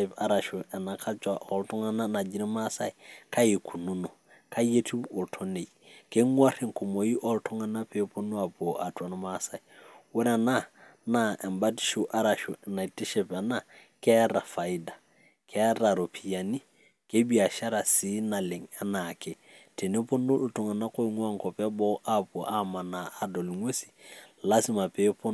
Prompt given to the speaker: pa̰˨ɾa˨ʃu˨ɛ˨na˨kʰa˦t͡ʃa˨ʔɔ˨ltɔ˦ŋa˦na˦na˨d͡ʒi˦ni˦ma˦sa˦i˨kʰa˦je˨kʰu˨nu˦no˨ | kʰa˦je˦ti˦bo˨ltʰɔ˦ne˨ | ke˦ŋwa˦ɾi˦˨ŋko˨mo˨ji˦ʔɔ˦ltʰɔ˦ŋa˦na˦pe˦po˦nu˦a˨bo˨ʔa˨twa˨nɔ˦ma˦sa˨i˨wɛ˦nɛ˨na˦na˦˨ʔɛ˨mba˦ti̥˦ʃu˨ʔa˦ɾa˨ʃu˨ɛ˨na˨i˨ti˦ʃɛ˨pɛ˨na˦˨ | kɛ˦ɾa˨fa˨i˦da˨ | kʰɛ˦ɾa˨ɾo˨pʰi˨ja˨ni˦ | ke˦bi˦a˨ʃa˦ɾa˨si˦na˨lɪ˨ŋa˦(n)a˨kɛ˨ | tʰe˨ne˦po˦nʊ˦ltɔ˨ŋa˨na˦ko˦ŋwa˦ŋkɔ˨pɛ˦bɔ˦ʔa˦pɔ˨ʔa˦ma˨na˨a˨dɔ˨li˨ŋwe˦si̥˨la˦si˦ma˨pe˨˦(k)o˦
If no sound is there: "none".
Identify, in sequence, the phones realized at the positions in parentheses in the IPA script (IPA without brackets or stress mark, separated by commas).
n, p